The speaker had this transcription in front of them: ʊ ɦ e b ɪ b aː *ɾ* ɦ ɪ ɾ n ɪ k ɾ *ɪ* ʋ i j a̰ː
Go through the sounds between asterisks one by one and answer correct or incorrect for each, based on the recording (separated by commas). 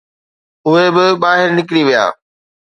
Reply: incorrect, incorrect